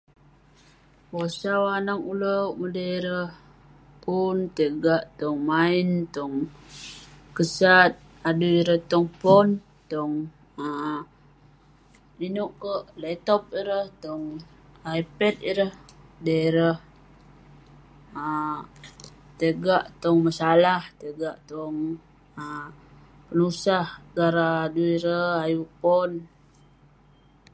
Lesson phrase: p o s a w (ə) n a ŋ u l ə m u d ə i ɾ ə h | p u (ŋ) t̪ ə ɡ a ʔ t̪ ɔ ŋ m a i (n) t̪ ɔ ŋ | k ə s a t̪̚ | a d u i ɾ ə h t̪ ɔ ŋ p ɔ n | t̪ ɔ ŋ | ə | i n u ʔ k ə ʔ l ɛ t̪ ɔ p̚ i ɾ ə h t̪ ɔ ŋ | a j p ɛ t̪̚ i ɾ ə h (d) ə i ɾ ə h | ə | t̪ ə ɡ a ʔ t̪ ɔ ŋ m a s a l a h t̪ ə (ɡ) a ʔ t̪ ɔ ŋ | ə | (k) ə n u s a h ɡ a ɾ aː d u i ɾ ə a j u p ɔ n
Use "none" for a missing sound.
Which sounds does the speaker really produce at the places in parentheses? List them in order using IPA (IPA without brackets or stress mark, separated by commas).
a, n, n, d, ɡ, p